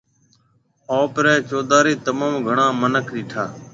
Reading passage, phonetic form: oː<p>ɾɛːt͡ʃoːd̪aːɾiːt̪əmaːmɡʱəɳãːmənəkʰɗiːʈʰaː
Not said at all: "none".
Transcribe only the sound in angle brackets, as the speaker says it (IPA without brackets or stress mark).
p